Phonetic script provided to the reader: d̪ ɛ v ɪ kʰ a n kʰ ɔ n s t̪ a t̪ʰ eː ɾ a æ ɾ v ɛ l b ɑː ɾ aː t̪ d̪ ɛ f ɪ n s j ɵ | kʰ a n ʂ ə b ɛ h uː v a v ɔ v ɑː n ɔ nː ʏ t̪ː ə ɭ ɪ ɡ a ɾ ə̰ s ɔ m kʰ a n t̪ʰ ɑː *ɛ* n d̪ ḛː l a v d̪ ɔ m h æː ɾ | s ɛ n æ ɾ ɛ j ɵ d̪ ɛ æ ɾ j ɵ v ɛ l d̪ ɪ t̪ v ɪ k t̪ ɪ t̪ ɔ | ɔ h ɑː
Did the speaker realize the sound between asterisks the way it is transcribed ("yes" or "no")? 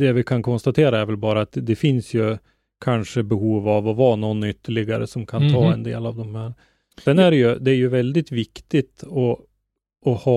yes